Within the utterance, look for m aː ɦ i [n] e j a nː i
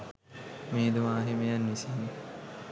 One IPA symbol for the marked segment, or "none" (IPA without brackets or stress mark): m